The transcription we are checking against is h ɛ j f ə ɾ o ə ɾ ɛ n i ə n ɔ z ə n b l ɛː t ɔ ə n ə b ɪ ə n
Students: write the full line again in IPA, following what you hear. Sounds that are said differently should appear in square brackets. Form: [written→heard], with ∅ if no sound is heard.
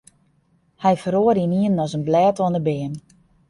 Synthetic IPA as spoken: h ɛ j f ə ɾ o ə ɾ [ɛ→i] n i ə n ɔ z ə n b l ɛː t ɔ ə n ə b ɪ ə n